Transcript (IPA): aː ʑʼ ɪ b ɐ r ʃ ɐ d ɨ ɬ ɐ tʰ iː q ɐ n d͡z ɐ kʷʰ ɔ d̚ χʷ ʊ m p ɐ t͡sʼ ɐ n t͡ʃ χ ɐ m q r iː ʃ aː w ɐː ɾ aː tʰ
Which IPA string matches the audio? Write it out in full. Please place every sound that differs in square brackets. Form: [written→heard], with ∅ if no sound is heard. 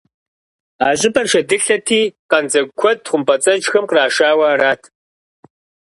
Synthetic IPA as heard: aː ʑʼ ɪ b ɐ r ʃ ɐ d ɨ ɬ ɐ tʰ iː q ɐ n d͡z ɐ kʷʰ ɔ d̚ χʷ ʊ m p ɐ t͡sʼ ɐ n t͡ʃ [χ→x] ɐ m q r [iː→aː] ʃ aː w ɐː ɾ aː tʰ